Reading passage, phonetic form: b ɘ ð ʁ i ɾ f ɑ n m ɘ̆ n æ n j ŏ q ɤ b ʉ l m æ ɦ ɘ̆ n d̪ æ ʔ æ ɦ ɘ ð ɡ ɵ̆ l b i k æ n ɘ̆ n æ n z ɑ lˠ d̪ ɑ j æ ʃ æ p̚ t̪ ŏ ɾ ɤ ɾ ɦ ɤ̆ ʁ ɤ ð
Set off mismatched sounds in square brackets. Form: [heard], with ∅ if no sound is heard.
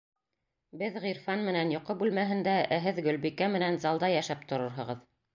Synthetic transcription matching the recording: b ɘ ð ʁ i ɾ f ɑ n m ɘ̆ n æ n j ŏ q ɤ b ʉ l m æ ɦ ɘ̆ n d̪ æ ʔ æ ɦ ɘ ð ɡ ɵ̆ l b i k æ [m] ɘ̆ n æ n z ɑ lˠ d̪ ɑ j æ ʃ æ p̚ t̪ ŏ ɾ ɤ ɾ ɦ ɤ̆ ʁ ɤ ð